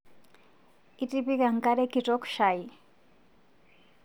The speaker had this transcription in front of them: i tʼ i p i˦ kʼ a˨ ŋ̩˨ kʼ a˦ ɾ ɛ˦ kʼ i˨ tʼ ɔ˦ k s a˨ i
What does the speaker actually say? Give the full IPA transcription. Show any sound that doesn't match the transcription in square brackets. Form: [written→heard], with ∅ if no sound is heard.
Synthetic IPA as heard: i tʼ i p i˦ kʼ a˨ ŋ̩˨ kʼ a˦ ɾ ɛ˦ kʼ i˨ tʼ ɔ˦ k [s→ʃ] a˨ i